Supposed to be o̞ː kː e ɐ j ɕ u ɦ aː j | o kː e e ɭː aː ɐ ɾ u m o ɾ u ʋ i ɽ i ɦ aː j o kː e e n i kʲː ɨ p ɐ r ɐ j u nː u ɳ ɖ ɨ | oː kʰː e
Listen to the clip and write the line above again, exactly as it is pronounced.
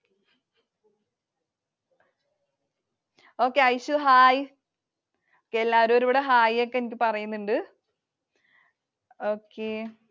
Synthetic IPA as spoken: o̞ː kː e ɐ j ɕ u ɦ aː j | o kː e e lː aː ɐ ɾ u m o ɾ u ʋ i ɽ e ɦ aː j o kː e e n i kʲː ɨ p ɐ r ɐ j u nː u ɳ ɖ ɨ | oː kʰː e

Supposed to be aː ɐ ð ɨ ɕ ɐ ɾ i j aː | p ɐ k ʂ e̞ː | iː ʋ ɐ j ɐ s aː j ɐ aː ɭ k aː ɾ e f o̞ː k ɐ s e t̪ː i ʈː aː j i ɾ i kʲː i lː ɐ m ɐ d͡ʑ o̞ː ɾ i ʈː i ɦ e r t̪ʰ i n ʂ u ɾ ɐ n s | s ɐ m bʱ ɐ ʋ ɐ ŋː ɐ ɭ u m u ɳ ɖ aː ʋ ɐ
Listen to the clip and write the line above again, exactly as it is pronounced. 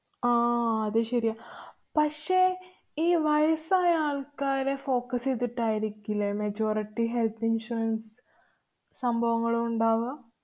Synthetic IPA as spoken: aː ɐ ð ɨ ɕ ɐ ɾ i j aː | p ɐ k ʂ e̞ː | iː ʋ ɐ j ɐ s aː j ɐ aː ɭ k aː ɾ e f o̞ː k ɐ s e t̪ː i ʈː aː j i ɾ i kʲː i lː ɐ m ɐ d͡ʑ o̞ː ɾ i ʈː i ɦ e l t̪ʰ i n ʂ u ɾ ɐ n s | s ɐ m bʱ ɐ ʋ ɐ ŋː ɐ ɭ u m u ɳ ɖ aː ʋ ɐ

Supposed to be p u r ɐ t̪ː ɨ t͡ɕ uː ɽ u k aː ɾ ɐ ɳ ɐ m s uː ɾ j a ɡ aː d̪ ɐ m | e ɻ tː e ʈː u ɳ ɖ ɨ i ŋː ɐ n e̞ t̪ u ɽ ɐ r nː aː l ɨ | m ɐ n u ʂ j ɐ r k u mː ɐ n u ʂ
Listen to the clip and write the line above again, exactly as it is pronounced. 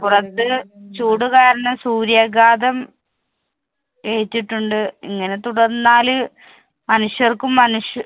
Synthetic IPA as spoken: p u r ɐ t̪ː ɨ t͡ɕ uː ɽ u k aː ɾ ɐ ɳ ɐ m s uː ɾ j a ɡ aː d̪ ɐ m | e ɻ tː i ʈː u ɳ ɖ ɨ i ŋː ɐ n e̞ t̪ u ɽ ɐ r nː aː l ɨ | m ɐ n u ʂ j ɐ r k u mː ɐ n u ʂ

